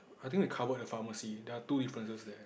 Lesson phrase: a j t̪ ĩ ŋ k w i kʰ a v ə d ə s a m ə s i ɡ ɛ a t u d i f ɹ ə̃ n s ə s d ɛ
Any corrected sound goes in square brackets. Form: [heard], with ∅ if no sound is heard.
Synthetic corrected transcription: a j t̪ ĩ ŋ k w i kʰ a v ə d ə [f] a m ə s i [d] ɛ a t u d i f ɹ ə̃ n s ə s d ɛ